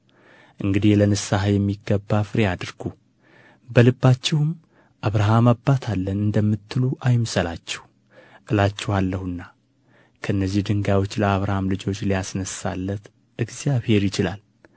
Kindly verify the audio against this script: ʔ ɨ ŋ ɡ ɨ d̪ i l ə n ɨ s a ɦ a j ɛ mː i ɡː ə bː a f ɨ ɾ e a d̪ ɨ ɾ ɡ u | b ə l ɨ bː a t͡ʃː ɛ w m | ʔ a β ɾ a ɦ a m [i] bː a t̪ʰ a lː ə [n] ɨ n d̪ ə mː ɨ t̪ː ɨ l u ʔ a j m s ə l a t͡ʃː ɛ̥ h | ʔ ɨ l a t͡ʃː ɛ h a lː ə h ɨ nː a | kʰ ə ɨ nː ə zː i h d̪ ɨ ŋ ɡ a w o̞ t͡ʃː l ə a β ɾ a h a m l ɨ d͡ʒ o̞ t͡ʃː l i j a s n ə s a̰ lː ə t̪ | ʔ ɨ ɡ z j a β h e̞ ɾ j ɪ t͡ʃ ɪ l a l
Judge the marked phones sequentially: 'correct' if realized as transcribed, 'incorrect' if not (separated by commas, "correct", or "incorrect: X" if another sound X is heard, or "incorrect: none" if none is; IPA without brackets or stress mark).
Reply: incorrect: a, correct